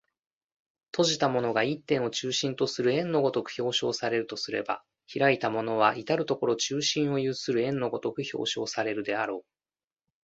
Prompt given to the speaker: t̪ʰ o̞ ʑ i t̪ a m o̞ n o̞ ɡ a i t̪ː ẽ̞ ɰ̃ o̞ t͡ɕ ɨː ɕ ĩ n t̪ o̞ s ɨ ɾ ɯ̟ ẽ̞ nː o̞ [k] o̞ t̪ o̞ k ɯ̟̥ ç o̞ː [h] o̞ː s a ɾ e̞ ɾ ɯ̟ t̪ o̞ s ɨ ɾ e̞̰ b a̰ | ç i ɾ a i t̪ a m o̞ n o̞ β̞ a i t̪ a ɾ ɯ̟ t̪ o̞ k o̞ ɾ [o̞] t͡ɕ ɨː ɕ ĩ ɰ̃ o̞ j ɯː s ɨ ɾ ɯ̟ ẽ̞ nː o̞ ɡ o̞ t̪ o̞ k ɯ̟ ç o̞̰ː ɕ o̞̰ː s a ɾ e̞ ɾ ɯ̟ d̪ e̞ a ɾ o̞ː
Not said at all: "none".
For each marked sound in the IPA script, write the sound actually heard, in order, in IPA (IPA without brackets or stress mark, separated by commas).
ɡ, ɕ, o̞